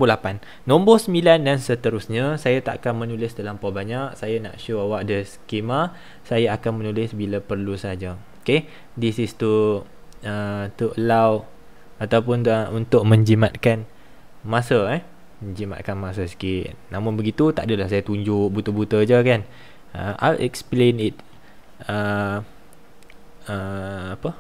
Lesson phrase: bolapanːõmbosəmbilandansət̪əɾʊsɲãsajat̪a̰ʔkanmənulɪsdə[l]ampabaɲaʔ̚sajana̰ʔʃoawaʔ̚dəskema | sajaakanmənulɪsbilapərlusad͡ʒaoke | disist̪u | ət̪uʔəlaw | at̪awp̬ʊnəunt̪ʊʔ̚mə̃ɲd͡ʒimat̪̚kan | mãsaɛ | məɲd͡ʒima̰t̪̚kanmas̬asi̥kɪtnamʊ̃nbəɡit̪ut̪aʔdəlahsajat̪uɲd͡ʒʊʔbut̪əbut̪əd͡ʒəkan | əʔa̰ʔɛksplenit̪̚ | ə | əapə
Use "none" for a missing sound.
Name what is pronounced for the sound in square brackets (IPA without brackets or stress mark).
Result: l